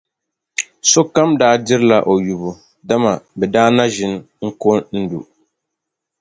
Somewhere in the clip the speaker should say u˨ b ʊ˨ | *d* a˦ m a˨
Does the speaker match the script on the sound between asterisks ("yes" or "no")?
yes